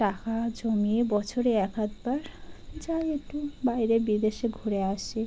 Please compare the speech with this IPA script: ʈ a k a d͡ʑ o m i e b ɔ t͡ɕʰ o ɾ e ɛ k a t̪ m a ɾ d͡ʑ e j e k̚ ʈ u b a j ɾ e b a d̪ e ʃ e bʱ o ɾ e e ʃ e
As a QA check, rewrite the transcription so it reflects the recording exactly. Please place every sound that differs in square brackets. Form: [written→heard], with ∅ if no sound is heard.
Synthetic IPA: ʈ a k a d͡ʑ o m i e b ɔ t͡ɕʰ o ɾ e ɛ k a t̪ [m→b] a ɾ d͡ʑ [e→a] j e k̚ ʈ u b a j ɾ e b [a→i] d̪ e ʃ e [bʱ→ɡʱ] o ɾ e [e→a] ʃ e